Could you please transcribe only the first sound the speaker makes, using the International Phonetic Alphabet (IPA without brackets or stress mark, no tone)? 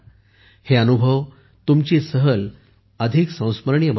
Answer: h